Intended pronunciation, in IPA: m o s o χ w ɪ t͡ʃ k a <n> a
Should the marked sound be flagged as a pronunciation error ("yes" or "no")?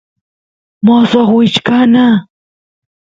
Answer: no